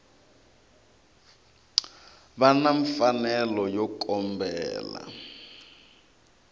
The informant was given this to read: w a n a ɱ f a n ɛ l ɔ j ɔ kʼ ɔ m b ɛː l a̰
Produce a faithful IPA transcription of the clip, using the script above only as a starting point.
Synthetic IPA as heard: β a n a ɱ f a n ɛ l ɔ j ɔ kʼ ɔ m b ɛː l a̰